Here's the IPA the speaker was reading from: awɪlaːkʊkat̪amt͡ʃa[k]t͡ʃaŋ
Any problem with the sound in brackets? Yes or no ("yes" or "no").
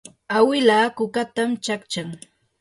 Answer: no